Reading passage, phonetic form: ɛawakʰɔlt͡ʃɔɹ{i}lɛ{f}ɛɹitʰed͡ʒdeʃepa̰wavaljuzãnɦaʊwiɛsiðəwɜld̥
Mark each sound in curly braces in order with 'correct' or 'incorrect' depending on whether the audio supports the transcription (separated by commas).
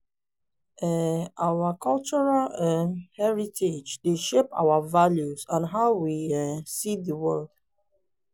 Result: incorrect, incorrect